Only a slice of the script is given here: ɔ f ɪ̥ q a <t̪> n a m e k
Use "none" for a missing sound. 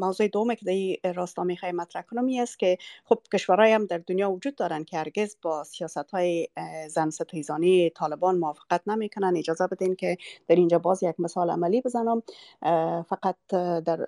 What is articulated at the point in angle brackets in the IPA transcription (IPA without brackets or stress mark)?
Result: t̪